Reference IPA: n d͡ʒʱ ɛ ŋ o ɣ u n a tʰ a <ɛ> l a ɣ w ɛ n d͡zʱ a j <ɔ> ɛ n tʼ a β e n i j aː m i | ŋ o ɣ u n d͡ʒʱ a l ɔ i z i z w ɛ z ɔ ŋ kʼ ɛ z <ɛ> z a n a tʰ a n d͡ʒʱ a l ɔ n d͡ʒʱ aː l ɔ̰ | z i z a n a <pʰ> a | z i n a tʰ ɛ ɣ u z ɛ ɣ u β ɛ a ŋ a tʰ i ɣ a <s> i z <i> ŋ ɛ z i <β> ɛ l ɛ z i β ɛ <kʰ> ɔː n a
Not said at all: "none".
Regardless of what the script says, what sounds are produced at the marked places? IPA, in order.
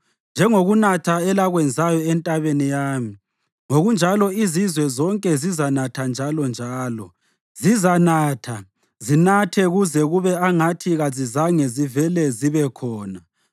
ɛ, ɔ, i, tʰ, z, a, v, kʰ

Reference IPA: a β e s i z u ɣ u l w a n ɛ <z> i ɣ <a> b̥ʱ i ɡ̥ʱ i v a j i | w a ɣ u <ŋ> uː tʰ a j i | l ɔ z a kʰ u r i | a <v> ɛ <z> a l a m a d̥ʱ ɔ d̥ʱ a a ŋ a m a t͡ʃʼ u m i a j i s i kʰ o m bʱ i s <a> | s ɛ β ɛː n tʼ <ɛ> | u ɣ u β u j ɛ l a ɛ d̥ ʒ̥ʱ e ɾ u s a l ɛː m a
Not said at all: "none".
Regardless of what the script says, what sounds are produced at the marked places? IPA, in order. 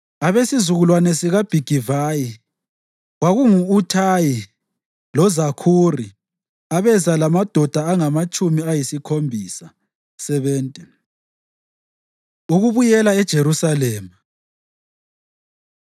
s, a, ŋ, β, z, a, ɛ

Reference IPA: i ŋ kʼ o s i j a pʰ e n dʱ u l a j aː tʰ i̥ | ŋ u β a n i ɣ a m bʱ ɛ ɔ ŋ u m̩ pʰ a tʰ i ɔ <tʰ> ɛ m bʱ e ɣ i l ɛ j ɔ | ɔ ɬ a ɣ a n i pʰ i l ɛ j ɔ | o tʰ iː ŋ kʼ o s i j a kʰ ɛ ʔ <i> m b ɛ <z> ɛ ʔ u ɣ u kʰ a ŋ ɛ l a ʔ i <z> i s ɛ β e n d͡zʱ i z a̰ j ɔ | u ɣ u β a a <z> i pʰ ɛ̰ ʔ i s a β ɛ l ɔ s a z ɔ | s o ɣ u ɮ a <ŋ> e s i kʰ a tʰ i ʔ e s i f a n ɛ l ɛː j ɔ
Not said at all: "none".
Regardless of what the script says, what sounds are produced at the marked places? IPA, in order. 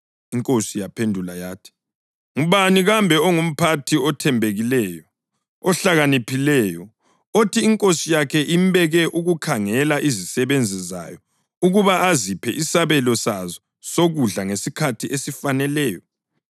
tʰ, i, ɣ, z, z, ŋ

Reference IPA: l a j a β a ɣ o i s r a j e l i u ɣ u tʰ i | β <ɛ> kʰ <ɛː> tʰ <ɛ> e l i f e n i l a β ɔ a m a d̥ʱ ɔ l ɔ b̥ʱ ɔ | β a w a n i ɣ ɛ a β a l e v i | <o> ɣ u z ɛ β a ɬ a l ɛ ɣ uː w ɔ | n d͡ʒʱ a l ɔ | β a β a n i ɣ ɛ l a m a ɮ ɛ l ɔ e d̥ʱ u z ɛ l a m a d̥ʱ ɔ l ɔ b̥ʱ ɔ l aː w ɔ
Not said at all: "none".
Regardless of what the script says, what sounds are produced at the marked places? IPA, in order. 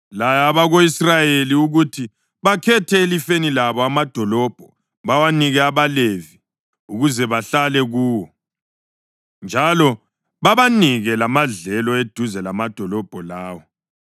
a, ɛ, ɛ, u

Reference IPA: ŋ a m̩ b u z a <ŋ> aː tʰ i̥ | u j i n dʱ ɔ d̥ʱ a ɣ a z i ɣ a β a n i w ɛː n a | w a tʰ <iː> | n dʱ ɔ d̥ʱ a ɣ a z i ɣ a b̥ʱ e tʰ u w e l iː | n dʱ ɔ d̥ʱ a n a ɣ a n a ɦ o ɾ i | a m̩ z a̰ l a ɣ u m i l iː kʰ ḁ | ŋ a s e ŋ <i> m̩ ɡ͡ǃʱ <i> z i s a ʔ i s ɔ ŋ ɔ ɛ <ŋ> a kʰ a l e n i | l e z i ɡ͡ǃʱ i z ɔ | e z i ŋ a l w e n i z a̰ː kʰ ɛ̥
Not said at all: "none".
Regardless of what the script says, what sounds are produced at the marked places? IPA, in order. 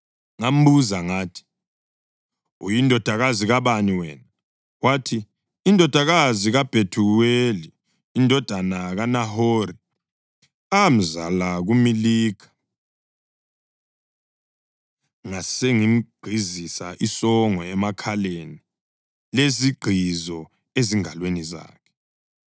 ŋ, iː, i, i, m

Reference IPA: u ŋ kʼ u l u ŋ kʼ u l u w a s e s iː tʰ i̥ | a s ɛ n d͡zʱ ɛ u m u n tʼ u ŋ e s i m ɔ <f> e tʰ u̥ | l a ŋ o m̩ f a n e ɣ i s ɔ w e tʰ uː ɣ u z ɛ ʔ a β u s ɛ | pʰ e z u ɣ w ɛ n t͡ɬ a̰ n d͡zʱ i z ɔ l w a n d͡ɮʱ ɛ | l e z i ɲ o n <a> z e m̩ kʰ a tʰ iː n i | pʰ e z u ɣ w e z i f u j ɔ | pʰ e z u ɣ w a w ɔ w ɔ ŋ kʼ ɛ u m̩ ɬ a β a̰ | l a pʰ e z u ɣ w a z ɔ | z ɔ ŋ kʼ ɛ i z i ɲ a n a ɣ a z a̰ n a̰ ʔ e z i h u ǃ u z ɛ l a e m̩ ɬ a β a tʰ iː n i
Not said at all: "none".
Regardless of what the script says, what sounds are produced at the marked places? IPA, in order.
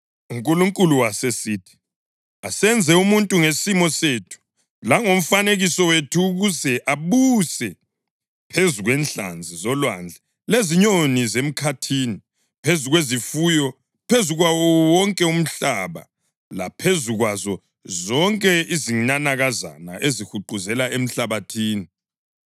s, i

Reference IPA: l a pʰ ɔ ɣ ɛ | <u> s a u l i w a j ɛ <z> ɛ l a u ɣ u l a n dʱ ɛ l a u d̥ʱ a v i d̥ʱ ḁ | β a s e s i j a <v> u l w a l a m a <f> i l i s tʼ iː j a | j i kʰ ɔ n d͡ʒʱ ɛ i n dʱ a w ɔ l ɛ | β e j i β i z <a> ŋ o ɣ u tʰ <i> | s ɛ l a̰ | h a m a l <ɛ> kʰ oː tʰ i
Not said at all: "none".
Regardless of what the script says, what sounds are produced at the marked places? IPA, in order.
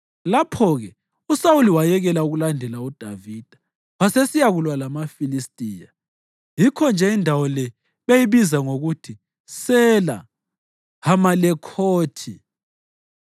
u, ɣ, ɣ, f, a, i, ɛ

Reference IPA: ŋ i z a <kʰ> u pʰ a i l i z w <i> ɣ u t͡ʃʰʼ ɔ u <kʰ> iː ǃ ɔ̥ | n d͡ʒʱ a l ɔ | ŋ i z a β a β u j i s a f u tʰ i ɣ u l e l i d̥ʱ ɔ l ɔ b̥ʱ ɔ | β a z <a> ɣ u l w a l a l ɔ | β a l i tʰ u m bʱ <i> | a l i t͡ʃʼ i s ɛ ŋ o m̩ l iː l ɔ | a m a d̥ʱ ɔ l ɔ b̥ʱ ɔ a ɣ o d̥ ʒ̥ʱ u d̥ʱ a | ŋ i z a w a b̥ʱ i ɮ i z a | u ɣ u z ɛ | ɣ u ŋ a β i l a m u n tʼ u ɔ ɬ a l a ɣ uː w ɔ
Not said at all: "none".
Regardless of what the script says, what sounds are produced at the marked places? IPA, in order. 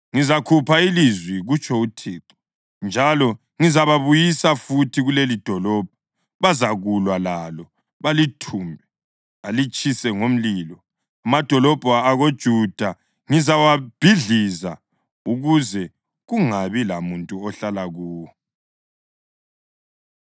kʰ, i, tʰ, a, ɛ

